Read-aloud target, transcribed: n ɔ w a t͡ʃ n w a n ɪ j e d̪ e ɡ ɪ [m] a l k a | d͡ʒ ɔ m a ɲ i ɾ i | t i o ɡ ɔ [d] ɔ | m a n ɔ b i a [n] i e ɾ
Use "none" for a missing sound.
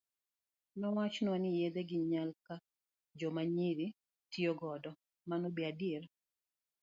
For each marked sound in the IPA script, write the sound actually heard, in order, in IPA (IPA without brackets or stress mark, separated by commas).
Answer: ɲ, d, d